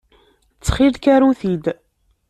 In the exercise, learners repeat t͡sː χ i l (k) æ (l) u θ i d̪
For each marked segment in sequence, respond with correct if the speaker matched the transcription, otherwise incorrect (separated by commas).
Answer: correct, incorrect